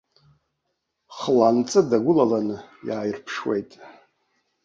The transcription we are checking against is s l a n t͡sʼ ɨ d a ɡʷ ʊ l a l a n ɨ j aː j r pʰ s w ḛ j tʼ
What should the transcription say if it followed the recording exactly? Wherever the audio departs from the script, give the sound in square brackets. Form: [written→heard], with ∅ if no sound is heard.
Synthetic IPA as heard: [s→χ] l a n t͡sʼ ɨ d a ɡʷ ʊ l a l a n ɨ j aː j r pʰ [s→ʂ] w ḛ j tʼ